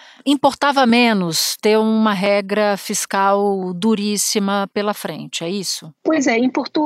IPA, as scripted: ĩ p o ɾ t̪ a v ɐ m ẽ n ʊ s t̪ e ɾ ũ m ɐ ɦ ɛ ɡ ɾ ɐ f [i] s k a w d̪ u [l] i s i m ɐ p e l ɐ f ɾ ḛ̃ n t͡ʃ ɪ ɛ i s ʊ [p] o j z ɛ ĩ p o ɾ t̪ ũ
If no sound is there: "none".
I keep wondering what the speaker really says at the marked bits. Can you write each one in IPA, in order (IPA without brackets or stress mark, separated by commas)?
i, ɾ, p